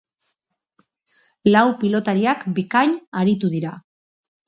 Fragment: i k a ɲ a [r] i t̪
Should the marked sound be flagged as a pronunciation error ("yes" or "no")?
yes